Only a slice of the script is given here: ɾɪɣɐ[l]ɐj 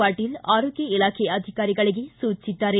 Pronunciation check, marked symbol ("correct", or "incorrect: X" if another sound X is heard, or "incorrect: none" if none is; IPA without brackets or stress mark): incorrect: ɭ